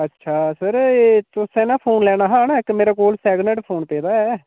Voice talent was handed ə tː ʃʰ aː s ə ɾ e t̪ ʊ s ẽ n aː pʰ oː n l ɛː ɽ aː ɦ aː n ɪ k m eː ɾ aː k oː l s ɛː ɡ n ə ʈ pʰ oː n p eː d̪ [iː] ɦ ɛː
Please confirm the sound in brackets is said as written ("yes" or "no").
no